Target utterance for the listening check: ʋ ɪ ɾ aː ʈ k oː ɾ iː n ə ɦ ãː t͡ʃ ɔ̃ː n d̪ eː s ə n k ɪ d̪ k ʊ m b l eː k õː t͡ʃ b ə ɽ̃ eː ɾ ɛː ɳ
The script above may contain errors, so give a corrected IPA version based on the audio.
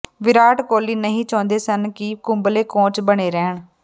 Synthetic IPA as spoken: ʋ ɪ ɾ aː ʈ k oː l iː n ə ɦ ĩː t͡ʃ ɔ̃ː n d̪ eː s ə n k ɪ k ʊ m b l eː k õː t͡ʃ b ə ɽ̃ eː ɾ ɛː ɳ